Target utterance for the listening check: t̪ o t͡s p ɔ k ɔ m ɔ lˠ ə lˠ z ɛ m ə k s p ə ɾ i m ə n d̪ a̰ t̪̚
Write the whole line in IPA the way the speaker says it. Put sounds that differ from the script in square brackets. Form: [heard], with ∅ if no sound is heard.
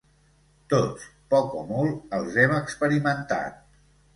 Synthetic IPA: t̪ o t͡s p ɔ k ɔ m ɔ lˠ ə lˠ z ɛ m ə k s p ə ɾ i m ə n [t̪] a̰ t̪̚